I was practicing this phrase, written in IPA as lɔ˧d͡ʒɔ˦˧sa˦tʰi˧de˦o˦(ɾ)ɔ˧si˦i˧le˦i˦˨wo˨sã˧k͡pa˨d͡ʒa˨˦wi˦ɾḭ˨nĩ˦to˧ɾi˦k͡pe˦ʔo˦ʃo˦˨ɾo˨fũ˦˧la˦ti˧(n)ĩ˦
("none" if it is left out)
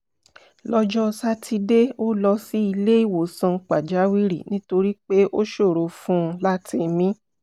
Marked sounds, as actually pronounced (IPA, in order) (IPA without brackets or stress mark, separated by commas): l, m